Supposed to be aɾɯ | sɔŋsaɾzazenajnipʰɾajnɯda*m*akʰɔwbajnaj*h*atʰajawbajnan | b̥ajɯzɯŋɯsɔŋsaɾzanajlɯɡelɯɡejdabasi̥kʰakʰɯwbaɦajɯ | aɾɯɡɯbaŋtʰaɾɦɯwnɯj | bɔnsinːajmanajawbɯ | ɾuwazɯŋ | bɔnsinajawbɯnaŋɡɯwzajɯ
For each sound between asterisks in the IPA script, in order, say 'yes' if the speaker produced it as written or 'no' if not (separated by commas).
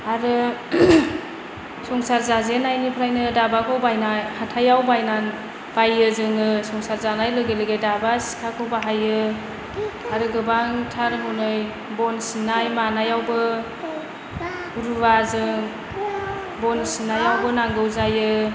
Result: no, yes